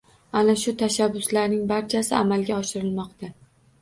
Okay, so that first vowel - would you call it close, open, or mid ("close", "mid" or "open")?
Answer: open